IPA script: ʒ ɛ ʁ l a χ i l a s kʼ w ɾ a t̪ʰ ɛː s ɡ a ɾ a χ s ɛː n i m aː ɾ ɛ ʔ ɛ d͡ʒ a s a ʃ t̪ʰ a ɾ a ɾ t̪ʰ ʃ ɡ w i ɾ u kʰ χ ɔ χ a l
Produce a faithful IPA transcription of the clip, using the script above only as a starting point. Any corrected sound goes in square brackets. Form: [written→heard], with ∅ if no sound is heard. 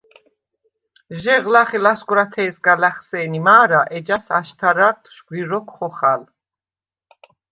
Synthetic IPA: ʒ ɛ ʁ l a χ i l a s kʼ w ɾ a t̪ʰ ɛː s ɡ a [ɾ→l] a χ s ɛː n i m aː ɾ [ɛ→a] ʔ ɛ d͡ʒ a s a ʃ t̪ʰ a ɾ a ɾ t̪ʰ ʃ ɡ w i ɾ [u→ɔ] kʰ χ ɔ χ a l